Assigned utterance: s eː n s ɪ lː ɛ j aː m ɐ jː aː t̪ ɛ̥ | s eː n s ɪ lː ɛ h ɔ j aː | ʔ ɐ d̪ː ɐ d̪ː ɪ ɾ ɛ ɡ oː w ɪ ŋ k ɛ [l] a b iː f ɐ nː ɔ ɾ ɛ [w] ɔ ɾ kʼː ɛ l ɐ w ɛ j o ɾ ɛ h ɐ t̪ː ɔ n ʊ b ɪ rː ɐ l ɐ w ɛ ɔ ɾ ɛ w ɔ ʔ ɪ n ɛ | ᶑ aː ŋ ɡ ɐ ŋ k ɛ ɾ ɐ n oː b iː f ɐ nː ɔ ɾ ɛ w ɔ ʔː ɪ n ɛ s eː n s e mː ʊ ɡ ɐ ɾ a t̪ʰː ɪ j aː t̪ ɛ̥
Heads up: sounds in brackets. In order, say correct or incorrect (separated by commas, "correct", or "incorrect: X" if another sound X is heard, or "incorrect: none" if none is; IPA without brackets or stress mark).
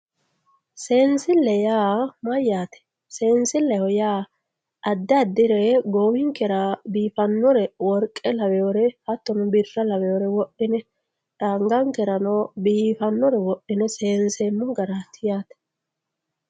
incorrect: ɾ, correct